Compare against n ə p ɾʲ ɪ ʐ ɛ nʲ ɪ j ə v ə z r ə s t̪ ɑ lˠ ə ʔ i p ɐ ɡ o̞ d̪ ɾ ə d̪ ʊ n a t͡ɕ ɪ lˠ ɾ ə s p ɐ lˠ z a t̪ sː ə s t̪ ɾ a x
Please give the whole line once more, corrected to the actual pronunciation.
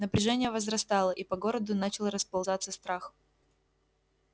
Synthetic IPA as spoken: n ə p ɾʲ ɪ ʐ ɛ nʲ ɪ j ə v ə z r ɐ s t̪ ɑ lˠ ə ʔ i p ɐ ɡ o̞ ɾ ə d̪ ʊ n a t͡ɕ ɪ lˠ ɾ ə s p ɐ lˠ z a t̪ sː ə s t̪ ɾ a x